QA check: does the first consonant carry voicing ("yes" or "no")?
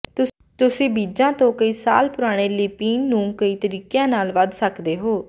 no